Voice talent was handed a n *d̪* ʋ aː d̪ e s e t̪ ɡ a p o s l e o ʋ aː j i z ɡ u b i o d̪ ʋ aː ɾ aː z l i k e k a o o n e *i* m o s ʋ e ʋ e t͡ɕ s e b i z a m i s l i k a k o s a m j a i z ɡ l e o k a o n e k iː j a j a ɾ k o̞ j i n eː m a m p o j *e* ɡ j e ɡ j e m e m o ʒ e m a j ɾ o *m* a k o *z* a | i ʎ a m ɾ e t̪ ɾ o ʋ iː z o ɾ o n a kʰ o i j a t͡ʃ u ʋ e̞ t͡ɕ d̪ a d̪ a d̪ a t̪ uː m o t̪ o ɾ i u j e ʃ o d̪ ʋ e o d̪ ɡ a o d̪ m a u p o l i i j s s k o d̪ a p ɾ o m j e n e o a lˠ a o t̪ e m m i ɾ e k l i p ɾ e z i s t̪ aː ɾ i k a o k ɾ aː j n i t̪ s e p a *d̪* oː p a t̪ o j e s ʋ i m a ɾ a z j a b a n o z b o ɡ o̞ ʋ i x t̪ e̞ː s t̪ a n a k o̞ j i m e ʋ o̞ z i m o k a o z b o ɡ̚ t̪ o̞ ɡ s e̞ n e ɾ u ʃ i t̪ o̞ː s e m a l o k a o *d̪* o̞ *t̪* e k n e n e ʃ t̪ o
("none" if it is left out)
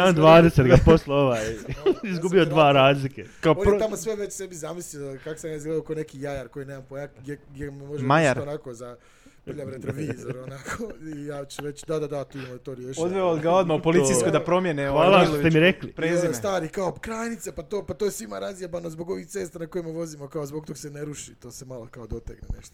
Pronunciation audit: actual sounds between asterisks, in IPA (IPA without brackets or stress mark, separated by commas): d̪, a, a, n, z, t̪, d̪, t̪